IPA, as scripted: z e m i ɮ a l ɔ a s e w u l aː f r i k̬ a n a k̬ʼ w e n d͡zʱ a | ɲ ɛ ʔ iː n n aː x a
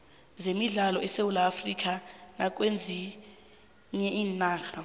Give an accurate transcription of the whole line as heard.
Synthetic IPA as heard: z e m i ɮ a l ɔ ɛ s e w u l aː f r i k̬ a n a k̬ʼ w e n d͡zʱ i | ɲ ɛ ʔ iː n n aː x a

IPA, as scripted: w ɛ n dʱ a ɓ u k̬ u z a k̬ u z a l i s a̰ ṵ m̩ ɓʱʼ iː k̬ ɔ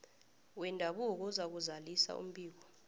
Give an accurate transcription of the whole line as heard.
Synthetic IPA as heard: w ɛ n dʱ a ɓ u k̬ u z a k̬ u z a l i s a̰ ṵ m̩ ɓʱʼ iː k̬ ɔ

